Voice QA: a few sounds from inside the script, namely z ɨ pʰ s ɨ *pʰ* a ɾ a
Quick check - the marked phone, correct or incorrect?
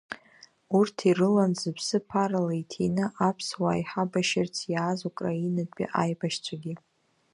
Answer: correct